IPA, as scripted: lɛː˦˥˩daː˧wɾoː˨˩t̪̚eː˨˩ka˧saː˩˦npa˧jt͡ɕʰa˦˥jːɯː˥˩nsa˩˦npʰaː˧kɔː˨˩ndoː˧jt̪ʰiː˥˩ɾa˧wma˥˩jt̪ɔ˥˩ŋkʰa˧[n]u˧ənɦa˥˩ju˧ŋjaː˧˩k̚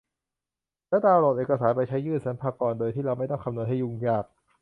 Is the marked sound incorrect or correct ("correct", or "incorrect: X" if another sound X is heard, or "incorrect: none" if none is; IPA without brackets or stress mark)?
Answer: correct